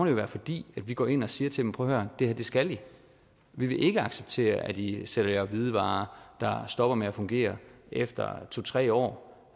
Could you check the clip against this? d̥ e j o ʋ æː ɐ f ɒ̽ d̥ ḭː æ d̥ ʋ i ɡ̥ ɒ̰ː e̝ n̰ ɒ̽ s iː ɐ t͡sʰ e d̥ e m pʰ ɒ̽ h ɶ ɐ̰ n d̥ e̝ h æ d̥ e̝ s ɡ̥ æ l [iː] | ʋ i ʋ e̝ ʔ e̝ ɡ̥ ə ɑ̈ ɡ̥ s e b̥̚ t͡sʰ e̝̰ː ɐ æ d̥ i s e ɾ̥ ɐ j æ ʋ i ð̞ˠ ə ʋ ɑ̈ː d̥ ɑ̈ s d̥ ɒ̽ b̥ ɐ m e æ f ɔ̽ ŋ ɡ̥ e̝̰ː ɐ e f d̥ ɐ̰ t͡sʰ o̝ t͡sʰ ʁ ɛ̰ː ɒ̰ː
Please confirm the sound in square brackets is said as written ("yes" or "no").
no